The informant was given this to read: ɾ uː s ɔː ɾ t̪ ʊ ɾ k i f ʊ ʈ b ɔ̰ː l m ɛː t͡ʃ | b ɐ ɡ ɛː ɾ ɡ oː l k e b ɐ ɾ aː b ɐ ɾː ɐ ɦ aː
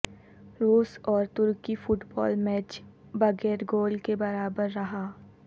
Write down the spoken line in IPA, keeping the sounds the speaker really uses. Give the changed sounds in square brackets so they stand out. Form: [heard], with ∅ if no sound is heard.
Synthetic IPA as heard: ɾ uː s ɔː ɾ t̪ ʊ ɾ k i f ʊ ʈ b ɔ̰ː l m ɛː t͡ʃ | b ɐ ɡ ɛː ɾ ɡ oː l k e b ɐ ɾ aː b [ə] ɾː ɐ ɦ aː

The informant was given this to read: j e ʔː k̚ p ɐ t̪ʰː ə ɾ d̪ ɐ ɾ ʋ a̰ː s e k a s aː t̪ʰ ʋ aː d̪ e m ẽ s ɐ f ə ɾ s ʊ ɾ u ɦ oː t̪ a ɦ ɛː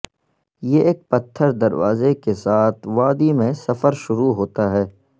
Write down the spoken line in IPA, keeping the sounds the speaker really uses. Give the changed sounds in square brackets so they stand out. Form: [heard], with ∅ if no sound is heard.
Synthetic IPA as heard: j e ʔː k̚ p ɐ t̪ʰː ə ɾ d̪ ɐ ɾ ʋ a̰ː [z] e k [e] s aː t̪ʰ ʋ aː d̪ [i] m ẽ s ɐ f ə ɾ [ʃ] ʊ ɾ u ɦ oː t̪ a ɦ ɛː

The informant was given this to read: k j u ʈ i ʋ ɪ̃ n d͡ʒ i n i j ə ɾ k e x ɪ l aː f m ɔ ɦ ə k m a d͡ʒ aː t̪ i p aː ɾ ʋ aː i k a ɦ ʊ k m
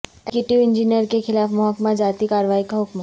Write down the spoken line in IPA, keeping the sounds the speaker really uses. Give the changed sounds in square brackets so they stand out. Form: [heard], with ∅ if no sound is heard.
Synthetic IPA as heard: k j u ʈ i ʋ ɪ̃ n d͡ʒ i n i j ə ɾ k e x ɪ l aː f m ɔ ɦ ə k m a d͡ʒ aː t̪ i [k] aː ɾ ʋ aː i k a ɦ ʊ k m

